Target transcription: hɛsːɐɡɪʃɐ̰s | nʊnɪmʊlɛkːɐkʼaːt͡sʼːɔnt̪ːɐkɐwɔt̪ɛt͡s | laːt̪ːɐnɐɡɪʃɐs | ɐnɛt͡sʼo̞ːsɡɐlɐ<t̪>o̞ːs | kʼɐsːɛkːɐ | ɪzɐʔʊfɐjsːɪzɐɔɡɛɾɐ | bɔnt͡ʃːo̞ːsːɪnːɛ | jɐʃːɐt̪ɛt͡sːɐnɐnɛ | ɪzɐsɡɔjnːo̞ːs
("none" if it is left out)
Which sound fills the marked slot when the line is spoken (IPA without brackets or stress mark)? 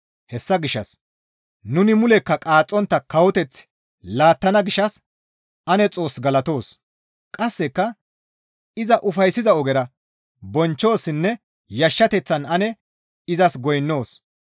t̪